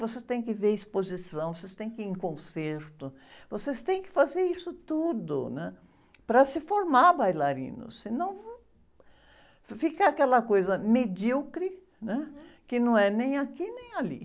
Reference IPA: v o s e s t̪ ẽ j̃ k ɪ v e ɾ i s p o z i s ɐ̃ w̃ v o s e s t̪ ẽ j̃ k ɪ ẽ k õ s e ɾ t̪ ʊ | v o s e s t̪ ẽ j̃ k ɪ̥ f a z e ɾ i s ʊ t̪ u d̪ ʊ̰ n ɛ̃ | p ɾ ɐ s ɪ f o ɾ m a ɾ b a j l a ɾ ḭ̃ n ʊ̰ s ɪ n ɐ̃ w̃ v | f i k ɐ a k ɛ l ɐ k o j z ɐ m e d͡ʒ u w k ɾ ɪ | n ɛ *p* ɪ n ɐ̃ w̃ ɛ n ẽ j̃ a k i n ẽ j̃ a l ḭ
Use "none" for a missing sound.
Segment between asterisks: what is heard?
k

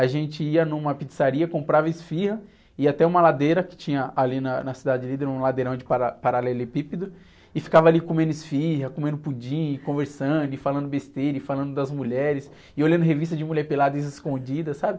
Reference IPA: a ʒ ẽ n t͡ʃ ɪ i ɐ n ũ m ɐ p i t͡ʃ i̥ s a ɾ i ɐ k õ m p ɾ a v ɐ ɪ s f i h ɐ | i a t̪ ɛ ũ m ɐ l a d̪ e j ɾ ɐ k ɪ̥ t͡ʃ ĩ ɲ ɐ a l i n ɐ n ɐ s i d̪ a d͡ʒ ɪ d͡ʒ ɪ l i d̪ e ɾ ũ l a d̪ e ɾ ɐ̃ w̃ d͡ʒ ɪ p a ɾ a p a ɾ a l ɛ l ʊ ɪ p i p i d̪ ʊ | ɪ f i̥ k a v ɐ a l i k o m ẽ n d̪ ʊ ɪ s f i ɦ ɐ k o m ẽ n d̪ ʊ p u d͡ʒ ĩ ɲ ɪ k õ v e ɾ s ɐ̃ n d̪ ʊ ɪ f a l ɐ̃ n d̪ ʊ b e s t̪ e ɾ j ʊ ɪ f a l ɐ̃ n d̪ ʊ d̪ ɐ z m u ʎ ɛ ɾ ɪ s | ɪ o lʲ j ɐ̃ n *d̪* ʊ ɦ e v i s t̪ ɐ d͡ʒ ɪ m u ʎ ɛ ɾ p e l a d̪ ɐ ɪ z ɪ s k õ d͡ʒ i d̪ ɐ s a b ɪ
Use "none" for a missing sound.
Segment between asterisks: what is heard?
d̪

